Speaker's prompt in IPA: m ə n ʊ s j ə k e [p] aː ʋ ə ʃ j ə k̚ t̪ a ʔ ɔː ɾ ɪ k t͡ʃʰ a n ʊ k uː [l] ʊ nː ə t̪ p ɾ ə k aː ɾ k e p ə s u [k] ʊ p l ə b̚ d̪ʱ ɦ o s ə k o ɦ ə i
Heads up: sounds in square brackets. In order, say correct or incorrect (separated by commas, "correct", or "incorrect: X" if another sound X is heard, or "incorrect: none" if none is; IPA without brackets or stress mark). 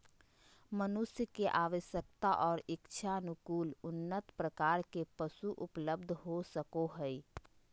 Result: incorrect: ʔ, correct, incorrect: ʔ